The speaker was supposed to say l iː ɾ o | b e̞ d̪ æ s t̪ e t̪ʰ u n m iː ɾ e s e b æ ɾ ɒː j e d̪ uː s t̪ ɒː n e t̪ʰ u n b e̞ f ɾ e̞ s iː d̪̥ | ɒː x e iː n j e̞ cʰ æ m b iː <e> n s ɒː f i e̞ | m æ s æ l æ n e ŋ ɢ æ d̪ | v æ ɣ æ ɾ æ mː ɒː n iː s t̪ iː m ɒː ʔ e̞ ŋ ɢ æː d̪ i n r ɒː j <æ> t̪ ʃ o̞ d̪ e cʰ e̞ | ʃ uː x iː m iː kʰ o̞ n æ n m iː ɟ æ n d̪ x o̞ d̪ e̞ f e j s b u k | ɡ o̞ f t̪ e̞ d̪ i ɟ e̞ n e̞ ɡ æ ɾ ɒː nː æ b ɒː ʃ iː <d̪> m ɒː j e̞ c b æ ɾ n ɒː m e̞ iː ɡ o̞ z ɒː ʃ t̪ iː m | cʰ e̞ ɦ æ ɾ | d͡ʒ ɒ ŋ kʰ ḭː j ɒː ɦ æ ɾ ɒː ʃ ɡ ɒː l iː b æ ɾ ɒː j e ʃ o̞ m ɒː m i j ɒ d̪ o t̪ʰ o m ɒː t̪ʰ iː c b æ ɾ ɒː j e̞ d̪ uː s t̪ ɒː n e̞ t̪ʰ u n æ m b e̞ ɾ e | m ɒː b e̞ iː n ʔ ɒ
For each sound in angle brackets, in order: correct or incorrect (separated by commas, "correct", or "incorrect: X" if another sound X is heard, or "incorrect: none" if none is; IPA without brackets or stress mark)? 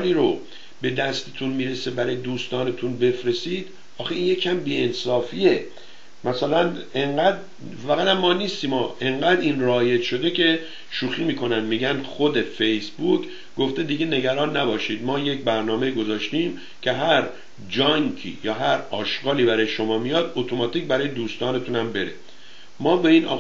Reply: correct, incorrect: e, correct